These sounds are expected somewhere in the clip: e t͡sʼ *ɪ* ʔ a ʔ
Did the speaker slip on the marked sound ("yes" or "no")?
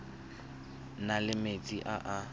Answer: yes